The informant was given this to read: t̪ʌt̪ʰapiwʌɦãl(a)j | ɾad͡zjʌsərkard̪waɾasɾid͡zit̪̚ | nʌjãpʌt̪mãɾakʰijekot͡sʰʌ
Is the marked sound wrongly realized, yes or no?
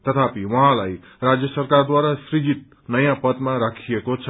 no